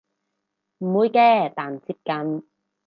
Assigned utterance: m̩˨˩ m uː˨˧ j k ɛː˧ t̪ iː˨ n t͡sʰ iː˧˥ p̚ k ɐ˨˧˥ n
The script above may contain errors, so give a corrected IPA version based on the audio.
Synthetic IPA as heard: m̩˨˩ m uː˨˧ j k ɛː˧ t̪ aː˨ n t͡s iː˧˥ p̚ k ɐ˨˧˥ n